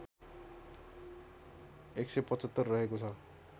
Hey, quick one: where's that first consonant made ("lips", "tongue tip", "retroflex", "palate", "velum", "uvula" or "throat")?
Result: velum